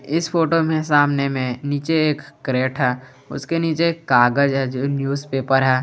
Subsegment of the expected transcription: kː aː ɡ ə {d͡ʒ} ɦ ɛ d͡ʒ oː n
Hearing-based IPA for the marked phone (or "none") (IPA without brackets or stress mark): d͡ʒ